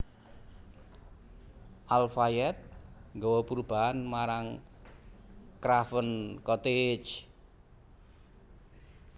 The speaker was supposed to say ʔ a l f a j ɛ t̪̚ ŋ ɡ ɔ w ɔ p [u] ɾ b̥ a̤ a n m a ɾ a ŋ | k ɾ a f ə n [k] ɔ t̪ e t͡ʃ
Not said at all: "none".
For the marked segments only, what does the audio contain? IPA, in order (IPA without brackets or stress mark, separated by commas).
u, k